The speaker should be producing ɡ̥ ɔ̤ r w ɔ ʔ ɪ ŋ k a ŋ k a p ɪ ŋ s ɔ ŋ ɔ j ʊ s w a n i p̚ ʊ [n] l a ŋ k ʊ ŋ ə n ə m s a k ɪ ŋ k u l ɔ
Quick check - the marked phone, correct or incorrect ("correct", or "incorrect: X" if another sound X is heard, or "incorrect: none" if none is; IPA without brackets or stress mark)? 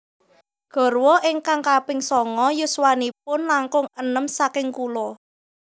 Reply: correct